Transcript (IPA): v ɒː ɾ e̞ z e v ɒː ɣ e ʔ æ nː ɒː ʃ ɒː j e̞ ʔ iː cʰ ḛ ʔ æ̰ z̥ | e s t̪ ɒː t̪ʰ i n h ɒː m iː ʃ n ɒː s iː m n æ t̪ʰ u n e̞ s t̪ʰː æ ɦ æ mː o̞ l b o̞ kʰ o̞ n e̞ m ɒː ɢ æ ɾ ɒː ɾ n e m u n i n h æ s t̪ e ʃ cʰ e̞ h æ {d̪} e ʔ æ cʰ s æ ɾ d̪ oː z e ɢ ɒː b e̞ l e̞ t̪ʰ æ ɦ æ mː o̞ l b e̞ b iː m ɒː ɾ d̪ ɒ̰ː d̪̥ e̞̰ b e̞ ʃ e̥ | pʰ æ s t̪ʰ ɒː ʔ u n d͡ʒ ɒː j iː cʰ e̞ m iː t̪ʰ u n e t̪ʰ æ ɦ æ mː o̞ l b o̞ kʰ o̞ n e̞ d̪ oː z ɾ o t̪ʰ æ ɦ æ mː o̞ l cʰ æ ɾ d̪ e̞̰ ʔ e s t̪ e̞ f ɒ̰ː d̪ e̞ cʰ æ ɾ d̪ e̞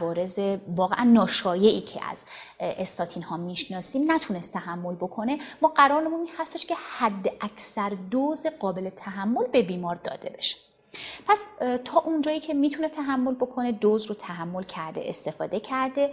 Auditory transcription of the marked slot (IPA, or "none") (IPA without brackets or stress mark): d̪ː